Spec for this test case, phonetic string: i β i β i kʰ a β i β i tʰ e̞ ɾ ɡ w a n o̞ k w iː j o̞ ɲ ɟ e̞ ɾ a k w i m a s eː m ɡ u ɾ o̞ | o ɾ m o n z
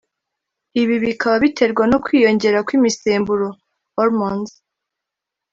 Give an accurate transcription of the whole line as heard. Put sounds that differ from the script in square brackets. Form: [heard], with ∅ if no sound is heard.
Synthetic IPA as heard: i β i β i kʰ a β [a] β i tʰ e̞ ɾ ɡ w a n o̞ k w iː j o̞ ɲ ɟ e̞ ɾ a k w i m [i] s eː m [b] u ɾ o̞ | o ɾ m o n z